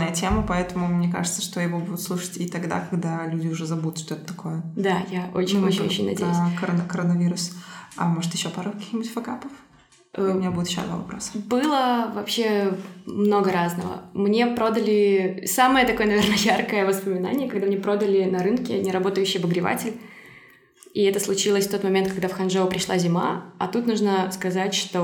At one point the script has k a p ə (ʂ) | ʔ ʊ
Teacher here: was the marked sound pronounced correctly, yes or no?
no